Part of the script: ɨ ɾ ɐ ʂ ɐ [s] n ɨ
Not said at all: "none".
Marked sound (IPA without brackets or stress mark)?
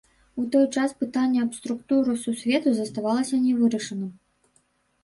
none